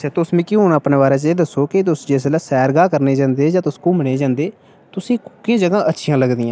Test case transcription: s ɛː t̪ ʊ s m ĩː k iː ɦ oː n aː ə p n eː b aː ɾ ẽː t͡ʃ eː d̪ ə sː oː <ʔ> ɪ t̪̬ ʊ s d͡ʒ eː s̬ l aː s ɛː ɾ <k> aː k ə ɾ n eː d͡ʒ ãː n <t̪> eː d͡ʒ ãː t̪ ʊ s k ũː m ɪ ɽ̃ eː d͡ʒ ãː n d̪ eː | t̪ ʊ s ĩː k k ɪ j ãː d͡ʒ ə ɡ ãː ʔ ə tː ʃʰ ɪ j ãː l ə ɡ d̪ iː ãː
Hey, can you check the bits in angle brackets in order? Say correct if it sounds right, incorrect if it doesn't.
incorrect: k, incorrect: ɡ, incorrect: d̪

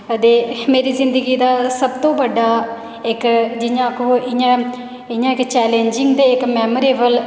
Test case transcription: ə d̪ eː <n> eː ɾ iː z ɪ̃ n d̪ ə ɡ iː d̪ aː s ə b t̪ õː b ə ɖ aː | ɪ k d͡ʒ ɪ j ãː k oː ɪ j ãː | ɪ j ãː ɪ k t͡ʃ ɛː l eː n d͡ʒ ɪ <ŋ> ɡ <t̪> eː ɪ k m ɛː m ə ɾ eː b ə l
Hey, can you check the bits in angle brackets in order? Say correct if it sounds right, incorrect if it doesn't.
incorrect: m, correct, incorrect: d̪

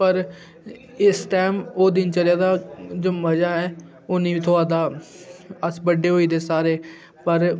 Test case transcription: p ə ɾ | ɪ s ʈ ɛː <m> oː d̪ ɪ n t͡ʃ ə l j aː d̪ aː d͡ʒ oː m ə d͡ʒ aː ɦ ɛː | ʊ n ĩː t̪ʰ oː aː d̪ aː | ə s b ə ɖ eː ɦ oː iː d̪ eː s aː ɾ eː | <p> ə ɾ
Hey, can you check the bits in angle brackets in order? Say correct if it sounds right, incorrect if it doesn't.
correct, correct

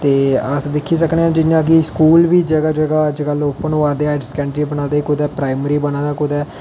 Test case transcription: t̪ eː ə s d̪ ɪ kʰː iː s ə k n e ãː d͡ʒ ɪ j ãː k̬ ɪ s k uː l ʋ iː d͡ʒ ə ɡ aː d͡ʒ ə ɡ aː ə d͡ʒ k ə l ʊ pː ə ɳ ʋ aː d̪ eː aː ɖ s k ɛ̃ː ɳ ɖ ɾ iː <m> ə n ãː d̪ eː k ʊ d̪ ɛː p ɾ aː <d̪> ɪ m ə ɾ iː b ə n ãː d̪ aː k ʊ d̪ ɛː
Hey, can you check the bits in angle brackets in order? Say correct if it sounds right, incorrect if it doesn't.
incorrect: b, incorrect: none

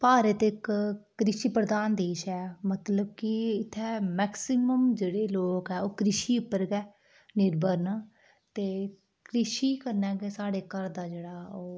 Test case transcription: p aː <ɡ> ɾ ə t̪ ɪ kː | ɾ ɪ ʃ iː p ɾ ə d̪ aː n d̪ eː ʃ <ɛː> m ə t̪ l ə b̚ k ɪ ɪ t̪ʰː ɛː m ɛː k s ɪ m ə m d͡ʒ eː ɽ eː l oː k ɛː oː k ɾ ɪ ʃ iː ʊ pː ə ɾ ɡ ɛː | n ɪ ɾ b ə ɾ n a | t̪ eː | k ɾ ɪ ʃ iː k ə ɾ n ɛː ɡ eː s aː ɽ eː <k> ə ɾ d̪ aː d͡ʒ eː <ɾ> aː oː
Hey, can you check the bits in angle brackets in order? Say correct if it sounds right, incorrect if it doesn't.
incorrect: none, correct, correct, incorrect: ɽ

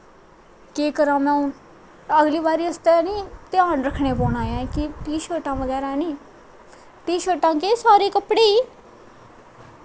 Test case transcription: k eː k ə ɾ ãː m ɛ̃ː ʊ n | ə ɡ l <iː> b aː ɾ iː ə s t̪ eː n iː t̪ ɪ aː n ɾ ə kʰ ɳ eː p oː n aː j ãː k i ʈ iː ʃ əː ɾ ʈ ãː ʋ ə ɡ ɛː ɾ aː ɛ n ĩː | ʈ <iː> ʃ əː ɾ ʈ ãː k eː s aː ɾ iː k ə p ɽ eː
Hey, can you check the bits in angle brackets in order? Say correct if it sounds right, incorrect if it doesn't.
correct, correct

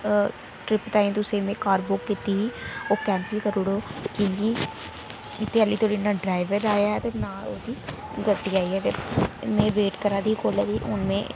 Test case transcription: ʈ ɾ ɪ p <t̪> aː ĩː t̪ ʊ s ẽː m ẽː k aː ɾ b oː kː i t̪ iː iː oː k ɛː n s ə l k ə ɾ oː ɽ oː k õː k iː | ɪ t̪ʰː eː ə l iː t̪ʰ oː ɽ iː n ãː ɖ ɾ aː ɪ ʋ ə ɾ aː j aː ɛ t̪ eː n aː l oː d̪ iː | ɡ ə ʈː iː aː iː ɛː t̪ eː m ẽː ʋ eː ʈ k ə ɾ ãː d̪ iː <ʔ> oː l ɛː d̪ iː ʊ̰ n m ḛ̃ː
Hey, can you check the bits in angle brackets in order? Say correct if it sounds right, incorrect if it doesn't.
correct, incorrect: k

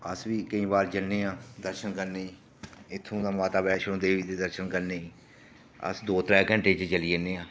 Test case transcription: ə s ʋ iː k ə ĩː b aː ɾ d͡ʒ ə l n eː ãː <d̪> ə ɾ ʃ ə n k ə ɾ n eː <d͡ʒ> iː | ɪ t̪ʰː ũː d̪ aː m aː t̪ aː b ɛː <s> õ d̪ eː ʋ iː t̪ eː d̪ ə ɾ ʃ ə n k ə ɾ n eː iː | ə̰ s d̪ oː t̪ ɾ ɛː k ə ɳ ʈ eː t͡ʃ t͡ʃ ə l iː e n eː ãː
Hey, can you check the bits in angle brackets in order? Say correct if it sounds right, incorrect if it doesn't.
correct, incorrect: none, incorrect: ʃ

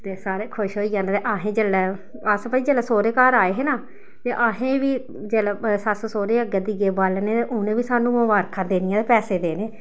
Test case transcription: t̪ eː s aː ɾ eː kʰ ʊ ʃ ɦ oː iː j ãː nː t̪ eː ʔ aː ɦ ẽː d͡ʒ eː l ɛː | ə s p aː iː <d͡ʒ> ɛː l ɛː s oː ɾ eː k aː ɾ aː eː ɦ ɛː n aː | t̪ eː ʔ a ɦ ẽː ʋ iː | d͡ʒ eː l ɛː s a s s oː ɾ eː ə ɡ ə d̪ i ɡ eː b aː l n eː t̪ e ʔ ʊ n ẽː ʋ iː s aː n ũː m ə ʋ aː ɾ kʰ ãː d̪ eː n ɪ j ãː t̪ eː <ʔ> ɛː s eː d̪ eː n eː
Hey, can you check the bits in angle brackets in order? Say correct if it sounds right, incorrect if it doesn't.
correct, incorrect: p

